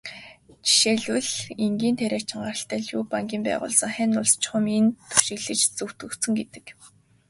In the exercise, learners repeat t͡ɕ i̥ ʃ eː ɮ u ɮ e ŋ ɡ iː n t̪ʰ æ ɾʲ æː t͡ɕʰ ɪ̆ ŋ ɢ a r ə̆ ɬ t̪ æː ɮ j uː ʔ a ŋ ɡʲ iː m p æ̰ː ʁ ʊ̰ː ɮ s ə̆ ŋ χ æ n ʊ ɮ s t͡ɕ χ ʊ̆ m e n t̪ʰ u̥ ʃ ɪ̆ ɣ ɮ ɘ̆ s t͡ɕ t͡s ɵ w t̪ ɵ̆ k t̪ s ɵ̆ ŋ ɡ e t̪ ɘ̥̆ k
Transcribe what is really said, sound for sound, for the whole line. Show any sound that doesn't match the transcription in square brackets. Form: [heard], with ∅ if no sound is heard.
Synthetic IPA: t͡ɕ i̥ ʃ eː ɮ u ɮ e ŋ ɡ iː n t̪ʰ æ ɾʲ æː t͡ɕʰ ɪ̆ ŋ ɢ a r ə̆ ɬ t̪ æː ɮ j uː [p] a ŋ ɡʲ iː m p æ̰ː ʁ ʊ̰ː ɮ s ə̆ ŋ χ æ n ʊ ɮ s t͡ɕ χ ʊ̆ m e n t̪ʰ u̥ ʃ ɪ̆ ɣ ɮ ɘ̆ [∅] t͡ɕ t͡s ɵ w t̪ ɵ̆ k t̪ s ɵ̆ ŋ ɡ e t̪ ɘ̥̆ k